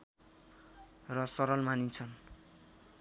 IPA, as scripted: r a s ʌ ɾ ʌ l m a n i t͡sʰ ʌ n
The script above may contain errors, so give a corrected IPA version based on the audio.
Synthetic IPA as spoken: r ʌ s ʌ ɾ ʌ l m a n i t͡sʰ ʌ n